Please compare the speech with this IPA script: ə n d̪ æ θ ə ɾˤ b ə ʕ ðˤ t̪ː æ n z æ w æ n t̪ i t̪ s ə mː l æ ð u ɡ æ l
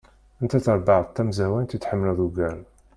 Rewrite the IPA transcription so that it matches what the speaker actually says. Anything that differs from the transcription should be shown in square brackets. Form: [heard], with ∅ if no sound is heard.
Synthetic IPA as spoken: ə n [t̪] æ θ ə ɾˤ b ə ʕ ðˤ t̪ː æ [m] z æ w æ n t̪ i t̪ [ħ] ə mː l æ ð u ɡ æ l